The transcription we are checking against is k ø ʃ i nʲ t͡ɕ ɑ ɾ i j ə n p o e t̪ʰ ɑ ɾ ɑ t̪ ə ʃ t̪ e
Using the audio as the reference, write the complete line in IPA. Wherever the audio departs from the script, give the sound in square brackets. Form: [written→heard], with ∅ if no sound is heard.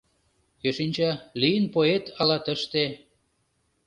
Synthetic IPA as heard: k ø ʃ i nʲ t͡ɕ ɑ [ɾ→l] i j ə n p o e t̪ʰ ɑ [ɾ→l] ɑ t̪ ə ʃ t̪ e

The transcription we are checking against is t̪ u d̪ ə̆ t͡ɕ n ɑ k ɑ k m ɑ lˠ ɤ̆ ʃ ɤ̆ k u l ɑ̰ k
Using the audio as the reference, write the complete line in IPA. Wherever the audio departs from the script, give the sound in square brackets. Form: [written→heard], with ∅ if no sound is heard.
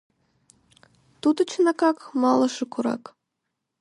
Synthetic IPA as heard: t̪ u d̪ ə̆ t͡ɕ n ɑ k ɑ k m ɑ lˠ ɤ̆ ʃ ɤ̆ k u [l→ɾ] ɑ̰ k

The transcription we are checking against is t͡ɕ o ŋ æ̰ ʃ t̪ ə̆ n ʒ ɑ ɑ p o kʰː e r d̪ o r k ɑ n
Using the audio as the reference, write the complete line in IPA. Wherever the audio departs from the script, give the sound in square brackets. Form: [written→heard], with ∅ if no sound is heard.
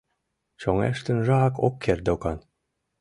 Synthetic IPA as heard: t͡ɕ o ŋ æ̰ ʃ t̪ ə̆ n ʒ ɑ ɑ [p→k] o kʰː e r d̪ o [r→∅] k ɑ n

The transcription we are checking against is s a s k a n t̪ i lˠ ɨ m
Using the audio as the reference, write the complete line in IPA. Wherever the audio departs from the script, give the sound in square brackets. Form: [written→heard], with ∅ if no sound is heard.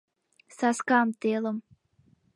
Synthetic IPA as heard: s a s k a [n→m] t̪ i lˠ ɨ m

